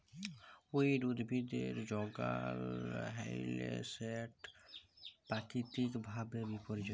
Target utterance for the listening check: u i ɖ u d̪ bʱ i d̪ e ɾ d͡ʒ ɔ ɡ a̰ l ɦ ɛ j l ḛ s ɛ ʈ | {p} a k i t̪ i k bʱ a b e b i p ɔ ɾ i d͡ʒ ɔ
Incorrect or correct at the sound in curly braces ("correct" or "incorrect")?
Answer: correct